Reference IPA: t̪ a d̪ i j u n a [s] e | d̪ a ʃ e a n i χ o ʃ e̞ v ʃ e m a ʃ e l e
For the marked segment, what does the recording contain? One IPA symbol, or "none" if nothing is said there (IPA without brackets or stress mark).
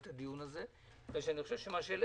z